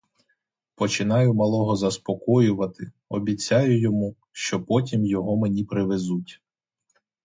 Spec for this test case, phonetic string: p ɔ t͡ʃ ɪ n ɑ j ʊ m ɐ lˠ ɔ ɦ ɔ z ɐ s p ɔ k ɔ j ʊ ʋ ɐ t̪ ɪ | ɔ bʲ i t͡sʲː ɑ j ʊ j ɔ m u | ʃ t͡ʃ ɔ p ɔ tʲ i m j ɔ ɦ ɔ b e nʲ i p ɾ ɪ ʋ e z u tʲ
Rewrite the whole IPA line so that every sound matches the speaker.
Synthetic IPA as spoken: p ɔ t͡ʃ ɪ n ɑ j ʊ m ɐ lˠ ɔ ɦ ɔ z ɐ s p ɔ k ɔ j ʊ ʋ ɐ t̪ ɪ | ɔ bʲ i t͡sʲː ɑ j ʊ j ɔ m u | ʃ t͡ʃ ɔ p ɔ tʲ i m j ɔ ɦ ɔ m e nʲ i p ɾ ɪ ʋ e z u tʲ